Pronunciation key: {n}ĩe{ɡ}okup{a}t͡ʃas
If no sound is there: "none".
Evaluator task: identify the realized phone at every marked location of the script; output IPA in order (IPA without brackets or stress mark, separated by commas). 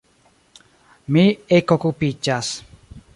m, k, i